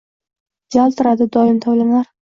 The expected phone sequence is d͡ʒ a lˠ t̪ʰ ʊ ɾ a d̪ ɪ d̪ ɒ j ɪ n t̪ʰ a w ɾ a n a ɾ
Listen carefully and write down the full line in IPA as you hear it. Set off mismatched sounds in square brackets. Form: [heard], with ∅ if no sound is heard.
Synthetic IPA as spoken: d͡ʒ a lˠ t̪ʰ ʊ ɾ a d̪ ɪ d̪ ɒ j ɪ [m] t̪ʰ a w [l] a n a ɾ